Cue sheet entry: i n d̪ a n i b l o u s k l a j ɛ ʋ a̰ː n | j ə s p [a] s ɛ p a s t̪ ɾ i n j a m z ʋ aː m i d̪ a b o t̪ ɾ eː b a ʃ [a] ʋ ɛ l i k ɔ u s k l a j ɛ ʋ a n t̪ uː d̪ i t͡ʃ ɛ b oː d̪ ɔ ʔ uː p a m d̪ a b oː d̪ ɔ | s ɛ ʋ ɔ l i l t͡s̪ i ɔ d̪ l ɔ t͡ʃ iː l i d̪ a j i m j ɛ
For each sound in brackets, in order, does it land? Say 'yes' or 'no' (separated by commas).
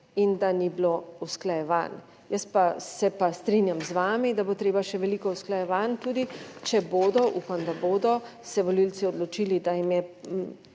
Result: yes, no